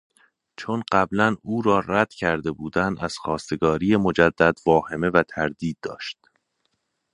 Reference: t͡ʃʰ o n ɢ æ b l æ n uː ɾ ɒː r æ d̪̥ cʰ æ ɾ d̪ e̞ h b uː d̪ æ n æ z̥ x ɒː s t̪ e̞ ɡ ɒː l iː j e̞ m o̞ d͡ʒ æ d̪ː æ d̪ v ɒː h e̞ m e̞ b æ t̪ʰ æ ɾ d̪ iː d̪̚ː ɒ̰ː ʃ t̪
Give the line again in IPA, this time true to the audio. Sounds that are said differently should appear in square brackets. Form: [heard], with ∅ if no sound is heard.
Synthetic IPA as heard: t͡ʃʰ o n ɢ æ b l æ n uː ɾ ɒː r æ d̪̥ cʰ æ ɾ d̪ e̞ [∅] b uː d̪ æ n æ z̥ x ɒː s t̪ e̞ ɡ ɒː [ɾ] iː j e̞ m o̞ d͡ʒ æ d̪ː æ d̪ v ɒː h e̞ m e̞ [v] æ t̪ʰ æ ɾ d̪ iː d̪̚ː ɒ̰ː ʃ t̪